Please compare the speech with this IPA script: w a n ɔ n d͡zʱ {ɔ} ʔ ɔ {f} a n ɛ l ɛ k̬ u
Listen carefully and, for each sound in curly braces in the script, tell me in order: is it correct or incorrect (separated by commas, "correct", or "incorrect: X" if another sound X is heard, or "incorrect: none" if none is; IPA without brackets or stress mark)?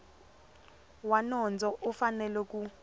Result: correct, correct